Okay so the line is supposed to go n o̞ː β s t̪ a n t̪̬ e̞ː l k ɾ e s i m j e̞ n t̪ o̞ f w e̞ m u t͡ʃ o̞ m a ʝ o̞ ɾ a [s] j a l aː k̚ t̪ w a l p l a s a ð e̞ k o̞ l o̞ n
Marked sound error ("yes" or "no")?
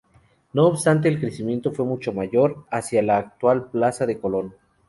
no